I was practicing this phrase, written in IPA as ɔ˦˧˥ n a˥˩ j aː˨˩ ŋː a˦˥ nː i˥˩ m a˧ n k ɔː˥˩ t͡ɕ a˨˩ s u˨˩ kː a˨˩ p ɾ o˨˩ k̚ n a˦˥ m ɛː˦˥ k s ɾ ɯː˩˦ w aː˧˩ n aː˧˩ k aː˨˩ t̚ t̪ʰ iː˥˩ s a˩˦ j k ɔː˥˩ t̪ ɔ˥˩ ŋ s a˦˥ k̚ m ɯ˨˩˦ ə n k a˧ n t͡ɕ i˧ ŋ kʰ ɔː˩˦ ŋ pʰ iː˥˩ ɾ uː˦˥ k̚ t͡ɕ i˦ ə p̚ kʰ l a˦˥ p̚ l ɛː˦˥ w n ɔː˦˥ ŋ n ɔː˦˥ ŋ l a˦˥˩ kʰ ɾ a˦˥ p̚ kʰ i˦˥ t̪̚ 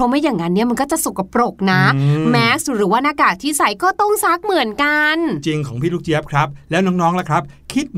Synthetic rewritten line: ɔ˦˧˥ m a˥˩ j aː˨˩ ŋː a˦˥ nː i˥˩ m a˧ n k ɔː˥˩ t͡ɕ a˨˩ s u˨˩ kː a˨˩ p ɾ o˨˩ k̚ n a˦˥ m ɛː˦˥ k s ɾ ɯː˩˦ w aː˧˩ n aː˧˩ k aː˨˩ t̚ t̪ʰ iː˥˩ s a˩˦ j k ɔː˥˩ t̪ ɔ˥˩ ŋ s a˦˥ k̚ m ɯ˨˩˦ ə n k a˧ n t͡ɕ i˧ ŋ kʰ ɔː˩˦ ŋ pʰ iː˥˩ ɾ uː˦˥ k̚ t͡ɕ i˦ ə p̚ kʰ ɾ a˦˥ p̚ l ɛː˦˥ w n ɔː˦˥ ŋ n ɔː˦˥ ŋ l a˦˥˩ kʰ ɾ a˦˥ p̚ kʰ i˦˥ t̪̚